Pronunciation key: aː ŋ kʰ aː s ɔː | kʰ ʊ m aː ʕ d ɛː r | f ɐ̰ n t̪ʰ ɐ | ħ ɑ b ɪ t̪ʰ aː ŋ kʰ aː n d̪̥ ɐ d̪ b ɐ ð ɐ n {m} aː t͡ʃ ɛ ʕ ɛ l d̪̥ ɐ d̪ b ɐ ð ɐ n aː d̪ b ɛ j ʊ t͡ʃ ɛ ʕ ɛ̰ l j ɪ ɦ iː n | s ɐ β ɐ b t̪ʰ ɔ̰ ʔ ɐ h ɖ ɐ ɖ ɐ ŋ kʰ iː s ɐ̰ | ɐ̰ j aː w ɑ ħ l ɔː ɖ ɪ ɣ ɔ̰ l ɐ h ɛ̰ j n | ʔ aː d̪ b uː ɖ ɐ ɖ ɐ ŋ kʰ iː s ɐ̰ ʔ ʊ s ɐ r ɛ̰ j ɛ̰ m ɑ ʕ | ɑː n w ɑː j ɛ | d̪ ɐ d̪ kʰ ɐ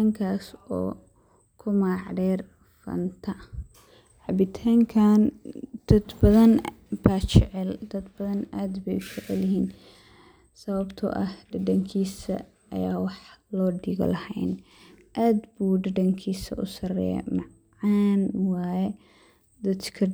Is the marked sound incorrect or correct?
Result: incorrect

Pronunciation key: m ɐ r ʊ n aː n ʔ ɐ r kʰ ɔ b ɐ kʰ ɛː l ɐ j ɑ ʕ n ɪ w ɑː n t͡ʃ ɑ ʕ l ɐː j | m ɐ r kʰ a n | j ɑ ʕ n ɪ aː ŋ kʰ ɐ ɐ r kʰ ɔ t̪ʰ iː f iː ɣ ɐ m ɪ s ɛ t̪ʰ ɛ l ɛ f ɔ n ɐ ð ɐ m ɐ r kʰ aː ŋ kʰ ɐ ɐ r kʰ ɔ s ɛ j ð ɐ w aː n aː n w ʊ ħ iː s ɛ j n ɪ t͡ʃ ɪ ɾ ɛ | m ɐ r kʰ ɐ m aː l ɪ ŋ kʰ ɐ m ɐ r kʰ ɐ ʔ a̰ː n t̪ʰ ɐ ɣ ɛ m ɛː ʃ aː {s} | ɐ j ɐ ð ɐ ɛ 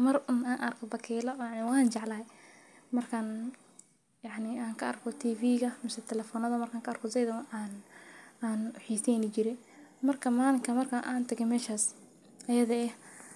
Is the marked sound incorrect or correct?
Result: correct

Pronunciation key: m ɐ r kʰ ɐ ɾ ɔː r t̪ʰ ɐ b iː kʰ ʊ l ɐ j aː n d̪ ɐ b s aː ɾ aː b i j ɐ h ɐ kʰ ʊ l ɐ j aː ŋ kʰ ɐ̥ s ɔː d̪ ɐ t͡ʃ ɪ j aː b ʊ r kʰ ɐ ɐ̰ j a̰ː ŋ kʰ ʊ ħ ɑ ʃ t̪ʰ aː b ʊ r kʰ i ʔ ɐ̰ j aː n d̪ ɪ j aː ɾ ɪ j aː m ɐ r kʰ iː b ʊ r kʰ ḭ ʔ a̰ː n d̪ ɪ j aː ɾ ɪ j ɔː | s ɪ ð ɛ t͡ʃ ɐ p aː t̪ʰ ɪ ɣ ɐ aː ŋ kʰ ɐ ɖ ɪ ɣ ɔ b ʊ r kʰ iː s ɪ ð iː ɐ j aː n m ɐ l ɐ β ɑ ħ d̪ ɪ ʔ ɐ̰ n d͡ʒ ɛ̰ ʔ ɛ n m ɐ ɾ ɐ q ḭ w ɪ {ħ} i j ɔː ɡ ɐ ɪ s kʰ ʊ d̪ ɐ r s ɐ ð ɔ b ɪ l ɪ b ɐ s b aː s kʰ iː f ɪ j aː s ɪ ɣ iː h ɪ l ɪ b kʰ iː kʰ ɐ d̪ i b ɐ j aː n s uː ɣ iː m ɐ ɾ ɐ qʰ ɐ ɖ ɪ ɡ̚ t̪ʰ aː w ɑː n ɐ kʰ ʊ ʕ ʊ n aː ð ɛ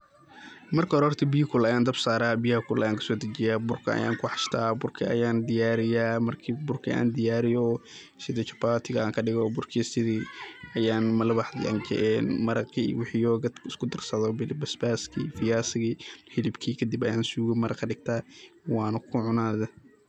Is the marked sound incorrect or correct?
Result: correct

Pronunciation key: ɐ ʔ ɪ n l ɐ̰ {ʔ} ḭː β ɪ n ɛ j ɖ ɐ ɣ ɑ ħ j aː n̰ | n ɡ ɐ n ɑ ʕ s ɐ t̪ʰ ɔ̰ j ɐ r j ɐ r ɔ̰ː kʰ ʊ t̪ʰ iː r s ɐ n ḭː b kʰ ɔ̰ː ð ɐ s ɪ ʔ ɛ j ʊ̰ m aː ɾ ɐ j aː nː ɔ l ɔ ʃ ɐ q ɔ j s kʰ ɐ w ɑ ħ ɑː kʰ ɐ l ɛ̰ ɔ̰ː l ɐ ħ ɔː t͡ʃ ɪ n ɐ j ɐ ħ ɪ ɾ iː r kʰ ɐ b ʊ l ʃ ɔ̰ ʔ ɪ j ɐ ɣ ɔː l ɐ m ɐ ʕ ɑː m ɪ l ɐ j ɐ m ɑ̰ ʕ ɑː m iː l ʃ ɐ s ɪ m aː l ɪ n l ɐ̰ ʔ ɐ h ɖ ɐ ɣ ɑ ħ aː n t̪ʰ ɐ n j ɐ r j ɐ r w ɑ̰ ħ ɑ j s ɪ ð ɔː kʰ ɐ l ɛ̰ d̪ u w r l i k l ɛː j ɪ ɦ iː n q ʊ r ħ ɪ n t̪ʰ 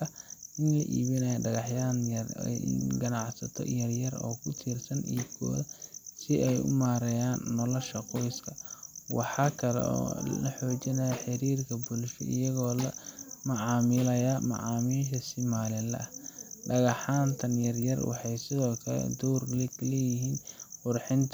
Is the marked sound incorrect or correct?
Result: correct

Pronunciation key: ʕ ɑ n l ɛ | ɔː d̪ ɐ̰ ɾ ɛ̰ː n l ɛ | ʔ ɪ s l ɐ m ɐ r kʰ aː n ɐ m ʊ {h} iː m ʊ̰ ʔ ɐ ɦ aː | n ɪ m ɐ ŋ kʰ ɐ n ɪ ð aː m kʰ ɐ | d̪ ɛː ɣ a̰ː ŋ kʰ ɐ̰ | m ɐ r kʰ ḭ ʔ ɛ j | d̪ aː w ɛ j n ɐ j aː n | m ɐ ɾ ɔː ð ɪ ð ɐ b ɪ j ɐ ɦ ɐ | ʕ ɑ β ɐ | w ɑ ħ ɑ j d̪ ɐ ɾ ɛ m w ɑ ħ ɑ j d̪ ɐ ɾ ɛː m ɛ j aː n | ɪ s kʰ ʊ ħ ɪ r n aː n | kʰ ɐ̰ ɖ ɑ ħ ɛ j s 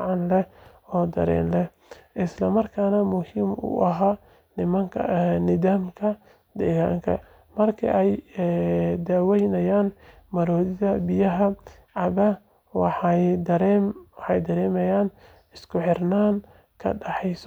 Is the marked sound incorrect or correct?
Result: correct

